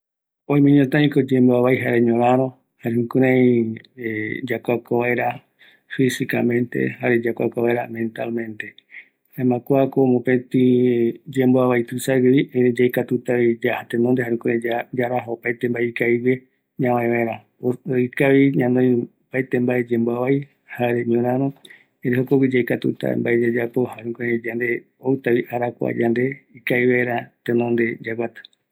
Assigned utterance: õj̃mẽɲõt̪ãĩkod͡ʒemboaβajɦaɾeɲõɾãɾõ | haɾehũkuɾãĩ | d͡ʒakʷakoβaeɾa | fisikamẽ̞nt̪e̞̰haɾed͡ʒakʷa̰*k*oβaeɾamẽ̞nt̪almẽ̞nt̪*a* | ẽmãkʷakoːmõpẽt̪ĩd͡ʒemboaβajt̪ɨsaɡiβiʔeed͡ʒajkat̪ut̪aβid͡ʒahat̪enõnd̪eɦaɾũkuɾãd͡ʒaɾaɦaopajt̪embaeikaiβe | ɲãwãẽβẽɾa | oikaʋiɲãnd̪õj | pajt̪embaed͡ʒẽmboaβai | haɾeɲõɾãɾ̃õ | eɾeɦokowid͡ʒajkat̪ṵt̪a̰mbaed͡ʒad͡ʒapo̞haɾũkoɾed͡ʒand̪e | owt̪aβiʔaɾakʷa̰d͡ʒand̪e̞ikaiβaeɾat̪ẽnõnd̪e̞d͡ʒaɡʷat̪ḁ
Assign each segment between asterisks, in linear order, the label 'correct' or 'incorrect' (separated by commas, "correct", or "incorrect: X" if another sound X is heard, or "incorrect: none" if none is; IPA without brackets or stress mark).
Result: correct, incorrect: e